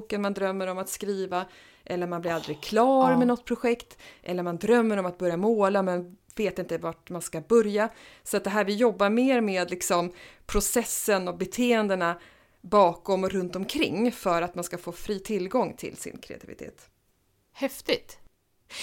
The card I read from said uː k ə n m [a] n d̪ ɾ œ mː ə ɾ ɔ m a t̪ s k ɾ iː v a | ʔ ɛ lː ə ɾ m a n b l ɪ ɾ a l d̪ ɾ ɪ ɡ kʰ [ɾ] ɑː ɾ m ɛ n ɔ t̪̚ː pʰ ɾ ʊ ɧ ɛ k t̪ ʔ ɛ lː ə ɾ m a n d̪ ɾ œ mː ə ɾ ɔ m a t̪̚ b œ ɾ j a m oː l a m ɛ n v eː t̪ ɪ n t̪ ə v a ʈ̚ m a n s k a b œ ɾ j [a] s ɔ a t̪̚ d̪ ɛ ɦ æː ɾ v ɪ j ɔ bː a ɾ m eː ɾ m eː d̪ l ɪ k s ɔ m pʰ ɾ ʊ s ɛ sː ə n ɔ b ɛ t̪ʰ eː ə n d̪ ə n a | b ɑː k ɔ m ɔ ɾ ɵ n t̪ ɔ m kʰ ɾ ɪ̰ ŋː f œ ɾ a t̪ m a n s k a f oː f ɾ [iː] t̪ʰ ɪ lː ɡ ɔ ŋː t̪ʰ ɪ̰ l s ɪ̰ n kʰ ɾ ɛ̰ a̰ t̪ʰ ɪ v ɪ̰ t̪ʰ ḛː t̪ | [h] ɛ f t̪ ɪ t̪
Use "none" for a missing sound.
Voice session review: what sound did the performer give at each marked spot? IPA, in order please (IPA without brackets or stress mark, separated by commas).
a, l, a, iː, h